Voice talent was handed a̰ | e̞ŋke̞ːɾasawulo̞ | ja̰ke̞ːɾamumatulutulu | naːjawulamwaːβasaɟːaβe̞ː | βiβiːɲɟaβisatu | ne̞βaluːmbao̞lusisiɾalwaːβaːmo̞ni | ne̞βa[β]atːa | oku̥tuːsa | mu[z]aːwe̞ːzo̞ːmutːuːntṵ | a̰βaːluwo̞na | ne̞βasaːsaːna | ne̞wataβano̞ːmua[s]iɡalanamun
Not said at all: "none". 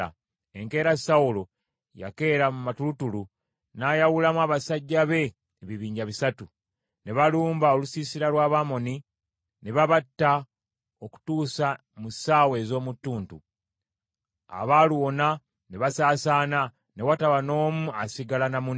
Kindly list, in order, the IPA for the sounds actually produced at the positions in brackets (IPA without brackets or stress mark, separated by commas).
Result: β, s, s